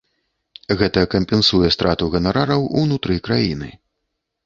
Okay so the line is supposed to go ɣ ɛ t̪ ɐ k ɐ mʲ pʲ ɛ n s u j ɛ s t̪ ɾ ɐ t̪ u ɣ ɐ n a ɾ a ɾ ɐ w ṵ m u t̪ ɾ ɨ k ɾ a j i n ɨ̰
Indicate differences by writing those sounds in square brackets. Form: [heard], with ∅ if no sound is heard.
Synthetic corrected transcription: ɣ ɛ t̪ ɐ k ɐ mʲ pʲ ɛ n s u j ɛ s t̪ ɾ [a] t̪ u ɣ ɐ n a ɾ a ɾ ɐ w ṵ [n] u t̪ ɾ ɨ k ɾ a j i n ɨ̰